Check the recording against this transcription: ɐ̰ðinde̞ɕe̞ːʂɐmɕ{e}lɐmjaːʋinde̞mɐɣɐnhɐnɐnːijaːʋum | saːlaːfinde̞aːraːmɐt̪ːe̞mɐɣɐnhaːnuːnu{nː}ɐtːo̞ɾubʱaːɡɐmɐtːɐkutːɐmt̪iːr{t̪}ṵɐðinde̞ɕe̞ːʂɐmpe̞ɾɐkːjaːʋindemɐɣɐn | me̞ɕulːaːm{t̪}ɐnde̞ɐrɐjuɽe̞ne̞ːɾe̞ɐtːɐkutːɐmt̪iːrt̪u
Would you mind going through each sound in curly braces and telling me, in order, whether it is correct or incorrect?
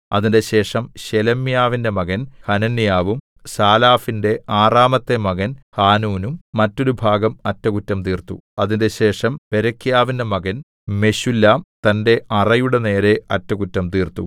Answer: correct, incorrect, correct, correct

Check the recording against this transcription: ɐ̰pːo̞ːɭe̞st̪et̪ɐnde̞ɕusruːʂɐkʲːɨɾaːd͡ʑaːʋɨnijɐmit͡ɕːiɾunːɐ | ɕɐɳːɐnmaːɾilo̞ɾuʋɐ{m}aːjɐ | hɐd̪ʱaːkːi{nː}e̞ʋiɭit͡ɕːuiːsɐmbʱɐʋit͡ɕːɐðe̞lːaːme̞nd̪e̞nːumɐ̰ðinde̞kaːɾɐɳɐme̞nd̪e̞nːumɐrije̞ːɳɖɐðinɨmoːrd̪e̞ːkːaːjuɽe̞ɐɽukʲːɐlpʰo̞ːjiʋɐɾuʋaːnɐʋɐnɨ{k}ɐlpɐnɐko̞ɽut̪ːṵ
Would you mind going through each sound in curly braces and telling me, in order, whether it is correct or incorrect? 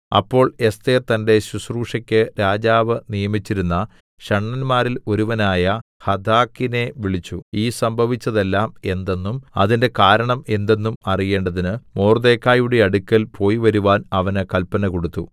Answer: incorrect, incorrect, correct

